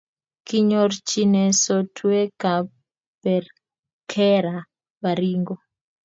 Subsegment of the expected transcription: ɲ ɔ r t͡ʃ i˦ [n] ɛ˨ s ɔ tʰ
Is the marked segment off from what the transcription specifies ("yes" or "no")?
no